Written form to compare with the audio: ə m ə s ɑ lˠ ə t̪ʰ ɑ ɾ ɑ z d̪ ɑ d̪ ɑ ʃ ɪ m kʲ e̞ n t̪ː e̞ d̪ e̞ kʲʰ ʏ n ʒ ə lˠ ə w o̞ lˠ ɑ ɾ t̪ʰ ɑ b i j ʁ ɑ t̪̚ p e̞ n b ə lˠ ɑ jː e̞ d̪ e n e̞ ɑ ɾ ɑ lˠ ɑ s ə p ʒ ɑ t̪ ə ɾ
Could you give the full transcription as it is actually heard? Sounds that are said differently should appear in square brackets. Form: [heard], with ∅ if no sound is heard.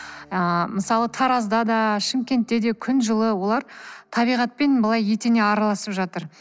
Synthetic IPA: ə m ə s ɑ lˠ ə t̪ʰ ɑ ɾ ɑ z d̪ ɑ d̪ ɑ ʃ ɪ m kʲ e̞ n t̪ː e̞ d̪ e̞ kʲʰ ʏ n ʒ ə lˠ ə w o̞ lˠ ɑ ɾ t̪ʰ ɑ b i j ʁ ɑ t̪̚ p e̞ n b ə lˠ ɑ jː e̞ [t̪] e n e̞ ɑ ɾ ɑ lˠ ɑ s ə p ʒ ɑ t̪ ə ɾ